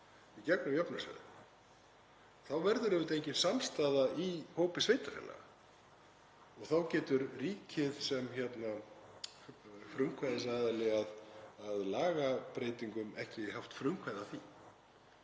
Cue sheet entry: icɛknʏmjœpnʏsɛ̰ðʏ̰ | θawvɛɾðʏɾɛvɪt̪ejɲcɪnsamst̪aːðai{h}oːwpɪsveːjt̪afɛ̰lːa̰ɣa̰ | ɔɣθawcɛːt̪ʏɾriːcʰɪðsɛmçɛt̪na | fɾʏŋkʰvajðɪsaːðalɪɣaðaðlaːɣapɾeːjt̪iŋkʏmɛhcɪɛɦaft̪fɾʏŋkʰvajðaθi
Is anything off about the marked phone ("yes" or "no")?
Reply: no